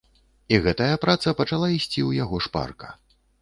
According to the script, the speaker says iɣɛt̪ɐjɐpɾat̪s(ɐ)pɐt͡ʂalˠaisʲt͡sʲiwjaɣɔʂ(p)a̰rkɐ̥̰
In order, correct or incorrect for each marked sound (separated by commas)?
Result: correct, correct